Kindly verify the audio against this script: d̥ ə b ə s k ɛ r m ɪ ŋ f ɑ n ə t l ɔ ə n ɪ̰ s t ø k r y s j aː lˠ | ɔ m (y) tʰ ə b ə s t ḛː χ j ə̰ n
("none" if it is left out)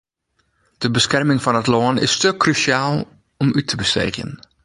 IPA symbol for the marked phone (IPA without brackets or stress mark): y